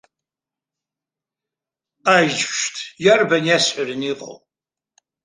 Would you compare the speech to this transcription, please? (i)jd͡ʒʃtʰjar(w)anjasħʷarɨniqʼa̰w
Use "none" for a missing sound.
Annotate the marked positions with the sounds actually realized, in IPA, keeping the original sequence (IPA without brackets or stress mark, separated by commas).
a, b